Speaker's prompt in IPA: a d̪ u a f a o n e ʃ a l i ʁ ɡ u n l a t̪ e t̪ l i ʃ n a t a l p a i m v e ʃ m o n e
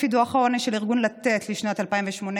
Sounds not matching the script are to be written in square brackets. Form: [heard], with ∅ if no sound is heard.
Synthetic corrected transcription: [i] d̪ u a [χ] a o n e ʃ [e] l i ʁ ɡ u n l a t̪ e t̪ l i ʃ n a t a l p a i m v e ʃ m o n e